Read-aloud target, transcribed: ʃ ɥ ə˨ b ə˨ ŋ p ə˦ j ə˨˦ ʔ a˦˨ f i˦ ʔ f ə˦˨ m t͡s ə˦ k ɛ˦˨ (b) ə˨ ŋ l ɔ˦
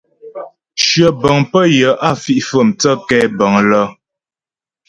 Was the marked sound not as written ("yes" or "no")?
no